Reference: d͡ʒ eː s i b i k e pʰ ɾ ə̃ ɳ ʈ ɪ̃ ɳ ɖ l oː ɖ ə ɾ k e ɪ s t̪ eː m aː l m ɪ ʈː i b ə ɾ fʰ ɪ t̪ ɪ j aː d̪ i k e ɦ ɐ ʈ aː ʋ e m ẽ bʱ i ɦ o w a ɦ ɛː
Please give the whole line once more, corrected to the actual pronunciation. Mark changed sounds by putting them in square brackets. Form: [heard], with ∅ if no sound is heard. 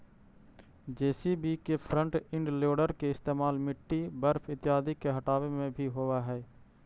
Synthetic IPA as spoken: d͡ʒ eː s i b i k e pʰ ɾ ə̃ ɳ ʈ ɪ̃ ɳ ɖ l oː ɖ ə ɾ k e ɪ s t̪ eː m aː l m ɪ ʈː i b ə ɾ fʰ ɪ t̪ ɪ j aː d̪ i k e ɦ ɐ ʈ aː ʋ e m ẽ bʱ i ɦ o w a ɦ ɛː

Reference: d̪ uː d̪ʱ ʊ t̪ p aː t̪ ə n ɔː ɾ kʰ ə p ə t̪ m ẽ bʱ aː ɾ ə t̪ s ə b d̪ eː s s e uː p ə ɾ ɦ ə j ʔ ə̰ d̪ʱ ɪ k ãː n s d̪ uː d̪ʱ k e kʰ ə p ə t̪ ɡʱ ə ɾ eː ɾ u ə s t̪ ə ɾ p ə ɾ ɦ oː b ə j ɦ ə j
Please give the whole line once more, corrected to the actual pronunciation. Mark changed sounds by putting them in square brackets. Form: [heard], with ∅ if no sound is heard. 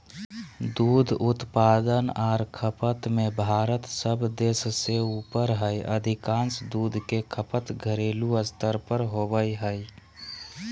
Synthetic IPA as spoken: d̪ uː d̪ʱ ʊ t̪ p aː [d̪] ə n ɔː ɾ kʰ ə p ə t̪ m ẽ bʱ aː ɾ ə t̪ s ə b d̪ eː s s e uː p ə ɾ ɦ ə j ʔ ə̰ d̪ʱ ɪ k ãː n s d̪ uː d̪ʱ k e kʰ ə p ə t̪ ɡʱ ə ɾ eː [l] u ə s t̪ ə ɾ p ə ɾ ɦ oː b ə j ɦ ə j

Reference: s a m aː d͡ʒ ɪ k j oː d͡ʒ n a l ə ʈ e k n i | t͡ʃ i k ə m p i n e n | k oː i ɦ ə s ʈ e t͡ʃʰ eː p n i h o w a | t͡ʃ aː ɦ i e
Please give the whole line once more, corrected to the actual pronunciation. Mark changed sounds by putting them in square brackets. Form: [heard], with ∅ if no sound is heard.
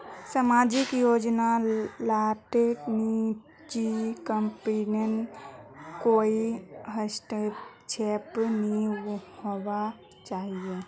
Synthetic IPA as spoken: s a m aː d͡ʒ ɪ k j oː d͡ʒ n a l [a] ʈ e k n i | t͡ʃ i k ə m p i n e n | k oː i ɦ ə s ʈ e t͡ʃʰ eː p n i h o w a | t͡ʃ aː ɦ i e

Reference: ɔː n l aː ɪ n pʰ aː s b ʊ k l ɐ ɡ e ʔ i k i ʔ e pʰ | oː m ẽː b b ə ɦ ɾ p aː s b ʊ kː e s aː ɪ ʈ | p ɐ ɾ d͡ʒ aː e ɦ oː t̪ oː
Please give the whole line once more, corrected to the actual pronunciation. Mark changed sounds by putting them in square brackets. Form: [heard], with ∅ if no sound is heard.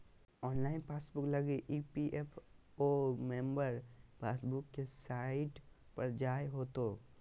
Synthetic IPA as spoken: ɔː n l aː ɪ n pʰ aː s b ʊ k l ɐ ɡ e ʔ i [p] i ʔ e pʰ | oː m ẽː [m] b ə [∅] ɾ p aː s b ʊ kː e s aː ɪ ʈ | p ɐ ɾ d͡ʒ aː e ɦ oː t̪ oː

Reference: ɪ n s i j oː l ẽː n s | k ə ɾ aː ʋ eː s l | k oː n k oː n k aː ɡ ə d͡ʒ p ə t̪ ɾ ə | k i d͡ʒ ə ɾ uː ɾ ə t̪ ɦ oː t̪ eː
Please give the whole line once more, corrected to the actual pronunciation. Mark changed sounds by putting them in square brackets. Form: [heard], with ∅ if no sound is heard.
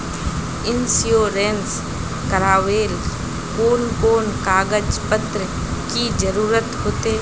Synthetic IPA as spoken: ɪ n s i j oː [ɾ] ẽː n s | k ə ɾ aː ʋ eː [∅] l | k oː n k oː n k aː ɡ ə d͡ʒ p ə t̪ ɾ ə | k i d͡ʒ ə ɾ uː ɾ ə t̪ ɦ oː t̪ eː

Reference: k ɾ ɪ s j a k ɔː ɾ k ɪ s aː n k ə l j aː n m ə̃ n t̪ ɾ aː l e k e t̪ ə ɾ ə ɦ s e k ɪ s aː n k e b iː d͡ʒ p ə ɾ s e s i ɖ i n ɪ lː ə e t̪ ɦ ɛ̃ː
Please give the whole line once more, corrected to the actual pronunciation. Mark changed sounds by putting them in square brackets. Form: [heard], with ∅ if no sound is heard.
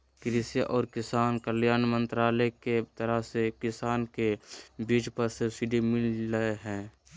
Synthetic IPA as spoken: k ɾ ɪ s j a [ʔ] ɔː ɾ k ɪ s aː n k ə l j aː n m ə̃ n t̪ ɾ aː l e k e t̪ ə ɾ ə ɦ s e k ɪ s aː n k e b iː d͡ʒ p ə ɾ s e s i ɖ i [m] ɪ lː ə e [∅] ɦ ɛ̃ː

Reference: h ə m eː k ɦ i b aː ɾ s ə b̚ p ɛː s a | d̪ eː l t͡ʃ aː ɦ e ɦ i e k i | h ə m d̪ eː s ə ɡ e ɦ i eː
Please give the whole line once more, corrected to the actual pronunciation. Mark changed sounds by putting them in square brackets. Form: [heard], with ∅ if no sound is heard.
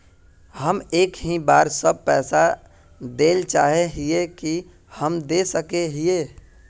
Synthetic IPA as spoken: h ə m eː k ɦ i b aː ɾ s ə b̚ p ɛː s a | d̪ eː l t͡ʃ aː ɦ e ɦ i e k i | h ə m d̪ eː s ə [k] e ɦ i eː

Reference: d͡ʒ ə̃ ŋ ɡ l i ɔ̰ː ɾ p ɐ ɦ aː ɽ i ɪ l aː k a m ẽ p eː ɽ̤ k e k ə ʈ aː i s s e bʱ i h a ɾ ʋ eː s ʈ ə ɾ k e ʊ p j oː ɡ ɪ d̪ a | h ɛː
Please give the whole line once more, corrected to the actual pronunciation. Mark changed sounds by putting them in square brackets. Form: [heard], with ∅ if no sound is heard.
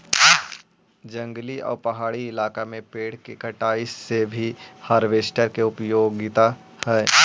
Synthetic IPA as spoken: d͡ʒ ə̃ ŋ ɡ l i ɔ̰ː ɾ p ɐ ɦ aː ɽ i ɪ l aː k a m ẽ p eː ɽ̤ k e k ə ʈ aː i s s e bʱ i h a ɾ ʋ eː s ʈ ə ɾ k e ʊ p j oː ɡ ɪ [t̪] a | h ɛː

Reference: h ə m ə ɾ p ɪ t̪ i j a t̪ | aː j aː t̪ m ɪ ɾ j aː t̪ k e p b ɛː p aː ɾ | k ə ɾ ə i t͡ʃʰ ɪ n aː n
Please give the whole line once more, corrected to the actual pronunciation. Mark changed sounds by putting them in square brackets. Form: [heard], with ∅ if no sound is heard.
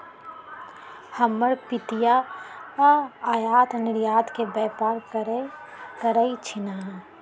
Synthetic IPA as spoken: h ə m ə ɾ p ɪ t̪ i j a [∅] | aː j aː t̪ [n] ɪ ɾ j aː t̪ k e [∅] b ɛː p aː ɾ | k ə ɾ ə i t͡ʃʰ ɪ n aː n

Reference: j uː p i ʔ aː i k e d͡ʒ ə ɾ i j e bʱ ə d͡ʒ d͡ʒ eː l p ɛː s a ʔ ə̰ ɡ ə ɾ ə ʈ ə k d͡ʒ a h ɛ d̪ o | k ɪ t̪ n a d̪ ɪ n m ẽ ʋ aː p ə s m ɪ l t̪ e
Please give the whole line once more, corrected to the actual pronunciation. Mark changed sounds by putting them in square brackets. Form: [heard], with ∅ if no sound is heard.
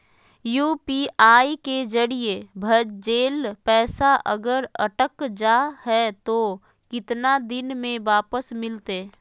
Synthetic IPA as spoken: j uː p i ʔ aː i k e d͡ʒ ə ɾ i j e bʱ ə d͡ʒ d͡ʒ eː l p ɛː s a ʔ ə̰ ɡ ə ɾ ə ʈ ə k d͡ʒ a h ɛ [t̪] o | k ɪ t̪ n a d̪ ɪ n m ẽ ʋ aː p ə s m ɪ l t̪ e

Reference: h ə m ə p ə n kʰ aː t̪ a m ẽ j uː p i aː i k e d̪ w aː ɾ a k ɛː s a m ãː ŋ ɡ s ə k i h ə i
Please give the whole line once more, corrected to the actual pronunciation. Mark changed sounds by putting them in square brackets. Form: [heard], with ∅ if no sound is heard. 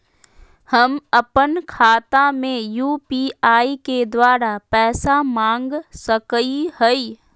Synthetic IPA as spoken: h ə m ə p ə n kʰ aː t̪ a m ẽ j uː p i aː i k e d̪ w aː ɾ a [p] ɛː s a m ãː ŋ ɡ s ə k i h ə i

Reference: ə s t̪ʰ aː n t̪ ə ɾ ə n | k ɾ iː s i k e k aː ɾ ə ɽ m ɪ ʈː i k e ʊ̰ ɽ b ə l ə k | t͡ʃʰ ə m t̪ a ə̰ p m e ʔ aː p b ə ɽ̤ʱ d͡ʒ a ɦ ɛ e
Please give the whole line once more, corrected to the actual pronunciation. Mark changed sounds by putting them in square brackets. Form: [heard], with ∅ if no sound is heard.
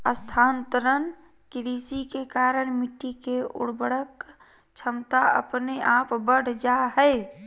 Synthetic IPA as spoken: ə s t̪ʰ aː n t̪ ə ɾ ə n | k ɾ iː s i k e k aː ɾ ə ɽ m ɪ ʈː i k e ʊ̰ ɽ b ə [ɽ] ə k | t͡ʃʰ ə m t̪ a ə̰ p [n] e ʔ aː p b ə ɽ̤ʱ d͡ʒ a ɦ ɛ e

